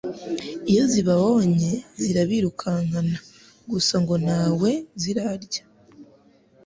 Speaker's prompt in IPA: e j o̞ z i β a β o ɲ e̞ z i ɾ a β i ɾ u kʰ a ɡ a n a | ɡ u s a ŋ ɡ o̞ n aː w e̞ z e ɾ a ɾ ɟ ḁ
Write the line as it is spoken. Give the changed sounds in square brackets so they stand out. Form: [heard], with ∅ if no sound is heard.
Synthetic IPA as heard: [i] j o̞ z i β a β o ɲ e̞ z i ɾ a β i ɾ u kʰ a [ŋ] a n a | ɡ u s a ŋ ɡ o̞ n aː w e̞ z [i] ɾ a ɾ ɟ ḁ